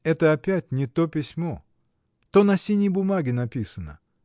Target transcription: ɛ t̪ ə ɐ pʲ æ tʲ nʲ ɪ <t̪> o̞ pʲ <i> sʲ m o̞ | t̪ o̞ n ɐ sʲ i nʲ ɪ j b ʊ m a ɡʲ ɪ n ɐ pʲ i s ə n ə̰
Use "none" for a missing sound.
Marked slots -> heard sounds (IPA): t̪, ɪ

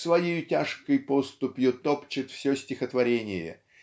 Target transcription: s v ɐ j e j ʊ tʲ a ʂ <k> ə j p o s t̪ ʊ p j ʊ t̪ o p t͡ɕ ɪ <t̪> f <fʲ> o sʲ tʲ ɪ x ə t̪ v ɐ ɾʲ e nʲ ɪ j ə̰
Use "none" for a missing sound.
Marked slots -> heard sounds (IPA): k, t̪, sʲ

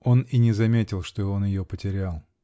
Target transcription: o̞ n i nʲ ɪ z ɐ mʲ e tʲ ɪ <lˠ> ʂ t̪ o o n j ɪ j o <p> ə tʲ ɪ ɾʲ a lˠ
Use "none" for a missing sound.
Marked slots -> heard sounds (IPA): lˠ, p

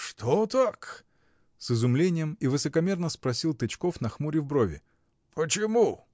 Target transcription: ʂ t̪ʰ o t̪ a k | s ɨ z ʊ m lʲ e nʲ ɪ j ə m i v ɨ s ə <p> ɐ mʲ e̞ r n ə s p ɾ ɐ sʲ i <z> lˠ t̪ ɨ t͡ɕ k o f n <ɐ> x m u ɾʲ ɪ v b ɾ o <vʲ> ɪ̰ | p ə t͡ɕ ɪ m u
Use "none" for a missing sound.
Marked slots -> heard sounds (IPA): k, none, ɐ, vʲ

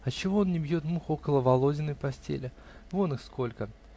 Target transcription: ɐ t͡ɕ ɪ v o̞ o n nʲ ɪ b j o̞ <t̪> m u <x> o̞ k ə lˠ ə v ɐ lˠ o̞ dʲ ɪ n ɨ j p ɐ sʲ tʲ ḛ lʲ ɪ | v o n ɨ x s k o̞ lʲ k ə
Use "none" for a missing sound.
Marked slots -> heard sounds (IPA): t̪, x

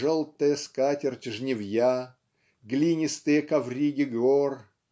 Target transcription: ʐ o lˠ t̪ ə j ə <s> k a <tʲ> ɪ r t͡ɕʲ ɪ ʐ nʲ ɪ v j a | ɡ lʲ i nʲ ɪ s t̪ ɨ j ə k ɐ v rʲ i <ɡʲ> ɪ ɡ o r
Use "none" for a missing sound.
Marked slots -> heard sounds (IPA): s, tʲ, ɡʲ

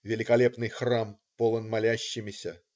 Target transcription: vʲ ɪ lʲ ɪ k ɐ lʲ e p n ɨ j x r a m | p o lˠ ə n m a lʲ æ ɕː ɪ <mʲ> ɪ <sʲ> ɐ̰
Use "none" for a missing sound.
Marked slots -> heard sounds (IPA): mʲ, sʲ

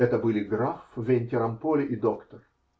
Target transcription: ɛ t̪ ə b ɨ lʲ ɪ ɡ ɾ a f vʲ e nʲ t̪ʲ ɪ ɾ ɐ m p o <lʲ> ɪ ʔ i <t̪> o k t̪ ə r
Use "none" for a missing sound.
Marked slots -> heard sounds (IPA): lʲ, d̪

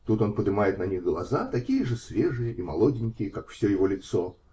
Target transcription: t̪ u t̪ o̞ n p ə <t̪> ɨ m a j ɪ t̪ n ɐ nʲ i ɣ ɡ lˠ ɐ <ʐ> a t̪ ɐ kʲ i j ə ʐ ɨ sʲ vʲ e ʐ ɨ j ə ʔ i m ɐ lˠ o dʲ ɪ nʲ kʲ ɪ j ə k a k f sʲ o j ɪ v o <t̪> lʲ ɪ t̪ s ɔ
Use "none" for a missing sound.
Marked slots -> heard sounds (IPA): d̪, z, none

